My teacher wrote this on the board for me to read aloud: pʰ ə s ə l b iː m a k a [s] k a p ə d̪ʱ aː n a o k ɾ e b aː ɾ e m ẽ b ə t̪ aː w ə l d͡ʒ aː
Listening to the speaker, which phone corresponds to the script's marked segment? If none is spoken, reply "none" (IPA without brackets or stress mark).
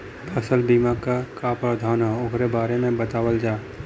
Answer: none